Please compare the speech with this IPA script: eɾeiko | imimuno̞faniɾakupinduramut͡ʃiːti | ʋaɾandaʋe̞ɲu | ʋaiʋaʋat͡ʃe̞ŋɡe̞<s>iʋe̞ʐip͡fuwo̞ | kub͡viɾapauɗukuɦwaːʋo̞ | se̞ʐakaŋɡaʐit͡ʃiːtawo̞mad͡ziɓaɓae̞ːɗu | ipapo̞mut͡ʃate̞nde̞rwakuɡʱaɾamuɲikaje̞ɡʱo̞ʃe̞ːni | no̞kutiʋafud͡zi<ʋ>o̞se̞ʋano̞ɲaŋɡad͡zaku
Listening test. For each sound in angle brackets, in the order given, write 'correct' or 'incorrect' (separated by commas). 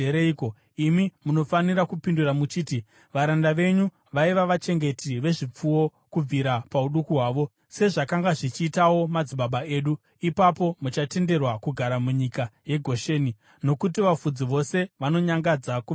incorrect, correct